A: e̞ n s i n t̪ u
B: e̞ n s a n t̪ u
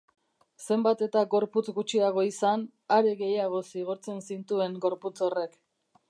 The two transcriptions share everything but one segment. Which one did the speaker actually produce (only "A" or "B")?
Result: A